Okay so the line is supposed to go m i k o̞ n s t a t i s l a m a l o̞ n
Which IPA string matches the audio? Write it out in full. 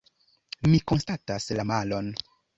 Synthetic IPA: m i k o̞ n s t a t a s l a m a l o̞ n

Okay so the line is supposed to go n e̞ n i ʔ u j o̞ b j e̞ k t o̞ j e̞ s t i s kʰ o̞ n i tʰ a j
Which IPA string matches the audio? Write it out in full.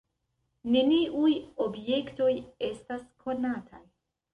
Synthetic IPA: n e̞ n i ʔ u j o̞ b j e̞ k t o̞ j e̞ s t a s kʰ o̞ n a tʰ a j

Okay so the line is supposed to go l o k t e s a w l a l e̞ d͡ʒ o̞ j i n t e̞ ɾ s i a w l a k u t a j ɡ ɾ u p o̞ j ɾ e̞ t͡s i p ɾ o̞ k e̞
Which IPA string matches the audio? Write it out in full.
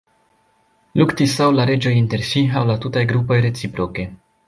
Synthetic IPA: l u k t i s a w l a ɾ e̞ d͡ʒ o̞ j i n t e̞ ɾ s i a w l a t u t a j ɡ ɾ u p o̞ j ɾ e̞ t͡s i p ɾ o̞ k e̞

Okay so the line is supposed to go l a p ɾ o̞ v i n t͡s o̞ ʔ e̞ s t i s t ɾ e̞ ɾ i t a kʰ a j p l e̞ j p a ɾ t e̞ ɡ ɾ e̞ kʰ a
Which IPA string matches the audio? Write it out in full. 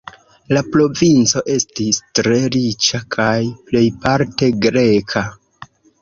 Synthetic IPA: l a p ɾ o̞ v i n t͡s o̞ ʔ e̞ s t i s t ɾ e̞ ɾ i t͡ʃ a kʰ a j p l e̞ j p a ɾ t e̞ ɡ ɾ e̞ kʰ a

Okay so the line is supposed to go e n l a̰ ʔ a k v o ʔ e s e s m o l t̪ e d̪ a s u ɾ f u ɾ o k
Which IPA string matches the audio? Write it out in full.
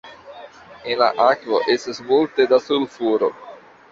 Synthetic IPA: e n l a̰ ʔ a k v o ʔ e s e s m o l t̪ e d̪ a s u l f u ɾ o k

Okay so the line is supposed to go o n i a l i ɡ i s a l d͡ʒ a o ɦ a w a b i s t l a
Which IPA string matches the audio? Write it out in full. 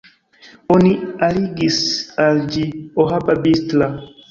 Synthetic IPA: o n i a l i ɡ i s a l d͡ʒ i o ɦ a b a b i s t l a

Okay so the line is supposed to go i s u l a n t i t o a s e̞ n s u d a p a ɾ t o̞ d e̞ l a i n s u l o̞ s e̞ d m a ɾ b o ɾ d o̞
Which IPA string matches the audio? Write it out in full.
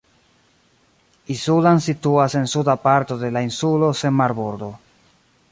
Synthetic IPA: i s u l a n s i t u a s e̞ n s u d a p a ɾ t o̞ d e̞ l a i n s u l o̞ s e̞ n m a ɾ b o ɾ d o̞

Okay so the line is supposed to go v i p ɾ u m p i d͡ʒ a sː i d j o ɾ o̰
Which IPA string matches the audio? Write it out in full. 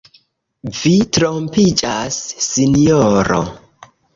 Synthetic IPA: v i t ɾ o m p i d͡ʒ a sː i n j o ɾ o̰

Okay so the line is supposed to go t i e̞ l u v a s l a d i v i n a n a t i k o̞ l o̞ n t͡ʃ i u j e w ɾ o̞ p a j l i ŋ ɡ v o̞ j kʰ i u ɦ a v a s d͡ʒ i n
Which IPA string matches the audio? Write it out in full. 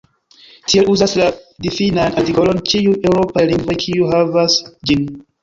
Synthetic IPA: t i e̞ l u z a s l a d i f i n a n a t i k o̞ l o̞ n t͡ʃ i u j e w ɾ o̞ p a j l i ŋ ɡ v o̞ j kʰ i u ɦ a v a s d͡ʒ i n

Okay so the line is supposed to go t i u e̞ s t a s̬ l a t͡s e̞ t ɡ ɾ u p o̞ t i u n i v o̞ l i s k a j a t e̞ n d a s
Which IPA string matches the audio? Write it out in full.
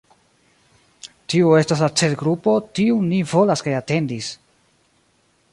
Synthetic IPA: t i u e̞ s t a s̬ l a t͡s e̞ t ɡ ɾ u p o̞ t i u n i v o̞ l a s k a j a t e̞ n d i s

